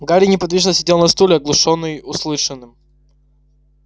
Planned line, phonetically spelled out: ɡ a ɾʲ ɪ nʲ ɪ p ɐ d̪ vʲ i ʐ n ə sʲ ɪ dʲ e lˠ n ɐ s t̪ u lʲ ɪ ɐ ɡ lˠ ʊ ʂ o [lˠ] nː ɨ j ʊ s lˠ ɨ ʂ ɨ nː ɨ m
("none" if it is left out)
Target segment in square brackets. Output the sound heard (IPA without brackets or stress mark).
none